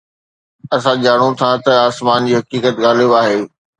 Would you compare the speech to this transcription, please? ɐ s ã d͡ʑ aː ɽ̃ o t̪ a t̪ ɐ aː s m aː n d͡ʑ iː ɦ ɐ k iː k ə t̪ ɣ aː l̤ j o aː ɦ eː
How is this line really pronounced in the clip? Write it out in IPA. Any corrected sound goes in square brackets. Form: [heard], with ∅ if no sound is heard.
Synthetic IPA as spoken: ɐ s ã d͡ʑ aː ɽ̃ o [t̪ʰ] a t̪ ɐ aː s m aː n d͡ʑ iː ɦ ɐ k iː k ə t̪ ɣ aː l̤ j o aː ɦ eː